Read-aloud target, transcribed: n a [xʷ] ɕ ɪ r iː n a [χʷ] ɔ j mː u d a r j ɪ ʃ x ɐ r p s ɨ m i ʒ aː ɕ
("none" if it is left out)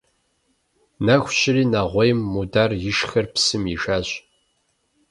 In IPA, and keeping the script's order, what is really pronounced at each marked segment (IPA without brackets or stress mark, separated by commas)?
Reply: xʷ, ʁʷ